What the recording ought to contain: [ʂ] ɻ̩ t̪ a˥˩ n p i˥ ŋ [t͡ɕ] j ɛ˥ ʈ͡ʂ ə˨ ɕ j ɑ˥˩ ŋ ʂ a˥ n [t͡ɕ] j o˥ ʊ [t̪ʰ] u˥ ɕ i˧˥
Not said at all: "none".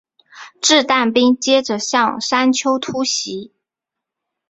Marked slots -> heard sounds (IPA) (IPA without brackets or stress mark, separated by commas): ʈ͡ʂ, t͡ɕ, t͡ɕʰ, t̪ʰ